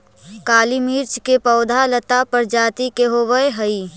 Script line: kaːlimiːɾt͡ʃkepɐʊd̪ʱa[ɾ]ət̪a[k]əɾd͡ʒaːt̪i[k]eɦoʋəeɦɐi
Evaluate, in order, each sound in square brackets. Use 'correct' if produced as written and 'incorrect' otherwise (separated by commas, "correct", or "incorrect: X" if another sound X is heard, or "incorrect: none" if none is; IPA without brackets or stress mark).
incorrect: l, incorrect: p, correct